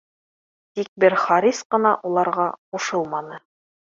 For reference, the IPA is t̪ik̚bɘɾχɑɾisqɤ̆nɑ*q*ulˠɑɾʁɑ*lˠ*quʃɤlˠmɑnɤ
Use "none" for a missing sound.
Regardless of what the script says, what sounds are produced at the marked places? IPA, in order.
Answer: ʔ, none

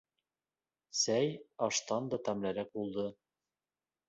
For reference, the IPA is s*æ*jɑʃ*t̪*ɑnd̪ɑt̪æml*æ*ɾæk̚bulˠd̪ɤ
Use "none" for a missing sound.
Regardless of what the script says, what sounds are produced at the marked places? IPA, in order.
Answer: æ, t̪, æ

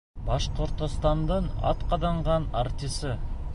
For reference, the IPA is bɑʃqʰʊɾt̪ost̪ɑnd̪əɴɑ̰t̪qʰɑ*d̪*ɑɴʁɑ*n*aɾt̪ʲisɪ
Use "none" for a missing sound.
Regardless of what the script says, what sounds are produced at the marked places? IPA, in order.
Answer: d̪, n

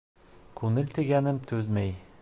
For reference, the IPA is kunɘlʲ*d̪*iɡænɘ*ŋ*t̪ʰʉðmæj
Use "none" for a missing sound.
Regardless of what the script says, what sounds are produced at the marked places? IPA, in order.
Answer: t̪, m

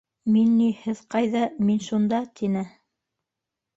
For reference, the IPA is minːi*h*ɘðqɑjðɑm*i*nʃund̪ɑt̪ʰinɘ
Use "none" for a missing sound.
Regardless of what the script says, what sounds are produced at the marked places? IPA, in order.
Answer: h, i

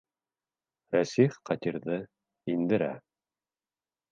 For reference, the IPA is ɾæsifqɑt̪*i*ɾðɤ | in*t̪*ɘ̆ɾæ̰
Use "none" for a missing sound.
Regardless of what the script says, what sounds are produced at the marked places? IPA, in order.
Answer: i, d̪

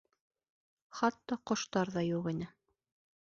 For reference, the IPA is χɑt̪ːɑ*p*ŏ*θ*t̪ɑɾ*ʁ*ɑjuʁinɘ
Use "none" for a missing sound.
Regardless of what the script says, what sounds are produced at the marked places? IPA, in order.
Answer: q, ʃ, ð

